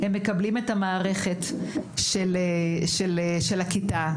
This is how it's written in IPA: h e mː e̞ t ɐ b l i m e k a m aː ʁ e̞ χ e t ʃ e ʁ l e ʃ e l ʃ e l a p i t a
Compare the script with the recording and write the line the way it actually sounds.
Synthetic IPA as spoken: h e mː e̞ k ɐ b l i m e t a m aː ʁ e̞ χ e t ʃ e l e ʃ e l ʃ e l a k i t a